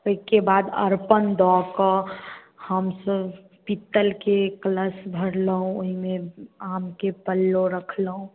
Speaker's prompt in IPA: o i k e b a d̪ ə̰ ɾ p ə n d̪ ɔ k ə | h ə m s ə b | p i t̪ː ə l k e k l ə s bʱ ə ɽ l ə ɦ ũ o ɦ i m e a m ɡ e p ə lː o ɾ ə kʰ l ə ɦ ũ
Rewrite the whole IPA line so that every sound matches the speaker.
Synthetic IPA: o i k e b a d̪ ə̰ ɾ p ə n d̪ ɔ k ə | h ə m s ə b | p i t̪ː ə l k e k l ə s bʱ ə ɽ l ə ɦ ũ o ɦ i m e a m k e p ə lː o ɾ ə kʰ l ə ɦ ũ